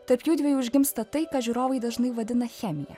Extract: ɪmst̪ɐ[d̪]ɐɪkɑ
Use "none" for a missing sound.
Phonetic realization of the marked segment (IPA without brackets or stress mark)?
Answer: t̪